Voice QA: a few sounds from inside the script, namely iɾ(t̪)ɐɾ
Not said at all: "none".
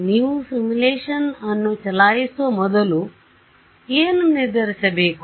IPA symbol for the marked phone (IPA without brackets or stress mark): d̪